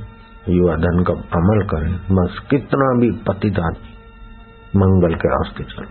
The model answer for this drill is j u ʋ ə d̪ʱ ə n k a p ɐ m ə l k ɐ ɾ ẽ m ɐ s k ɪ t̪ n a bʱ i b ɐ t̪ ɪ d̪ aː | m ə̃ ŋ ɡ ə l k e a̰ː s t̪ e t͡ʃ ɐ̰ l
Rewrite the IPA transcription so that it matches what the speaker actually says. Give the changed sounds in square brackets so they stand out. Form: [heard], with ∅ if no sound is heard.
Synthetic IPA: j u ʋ [a] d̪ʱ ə n k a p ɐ m ə l k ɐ ɾ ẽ m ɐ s k ɪ t̪ n a bʱ i [p] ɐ t̪ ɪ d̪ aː | m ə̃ ŋ ɡ ə l k e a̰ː s t̪ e t͡ʃ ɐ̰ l